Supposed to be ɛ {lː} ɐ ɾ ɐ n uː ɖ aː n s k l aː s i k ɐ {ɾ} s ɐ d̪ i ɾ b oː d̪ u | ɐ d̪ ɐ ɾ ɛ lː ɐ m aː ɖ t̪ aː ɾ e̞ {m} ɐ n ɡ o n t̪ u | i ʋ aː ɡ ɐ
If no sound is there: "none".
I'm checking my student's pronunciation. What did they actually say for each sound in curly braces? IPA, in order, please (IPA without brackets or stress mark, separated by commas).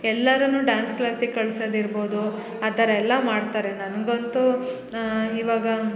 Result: lː, ɭ, n